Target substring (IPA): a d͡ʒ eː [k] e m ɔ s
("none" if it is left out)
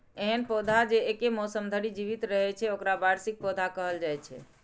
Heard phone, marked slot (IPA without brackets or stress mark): k